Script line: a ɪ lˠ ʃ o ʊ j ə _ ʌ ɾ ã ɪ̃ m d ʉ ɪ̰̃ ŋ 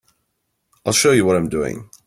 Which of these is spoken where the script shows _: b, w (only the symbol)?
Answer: w